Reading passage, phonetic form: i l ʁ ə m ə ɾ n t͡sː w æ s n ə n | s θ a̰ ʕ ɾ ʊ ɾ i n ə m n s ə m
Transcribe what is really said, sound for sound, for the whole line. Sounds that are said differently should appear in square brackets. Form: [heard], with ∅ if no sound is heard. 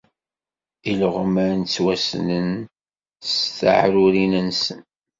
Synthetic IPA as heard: i l ʁ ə m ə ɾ n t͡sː w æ s n ə n | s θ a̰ ʕ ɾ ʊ ɾ i n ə [∅] n s ə [n]